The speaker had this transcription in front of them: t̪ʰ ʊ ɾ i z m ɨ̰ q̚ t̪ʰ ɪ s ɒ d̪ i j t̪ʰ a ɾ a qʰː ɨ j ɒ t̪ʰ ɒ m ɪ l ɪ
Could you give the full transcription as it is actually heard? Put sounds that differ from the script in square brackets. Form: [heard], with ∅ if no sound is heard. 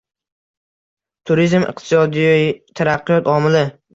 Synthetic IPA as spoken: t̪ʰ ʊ ɾ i z m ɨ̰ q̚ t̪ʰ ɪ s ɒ d̪ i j t̪ʰ a ɾ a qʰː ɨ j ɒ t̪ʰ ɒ m ɪ l ɪ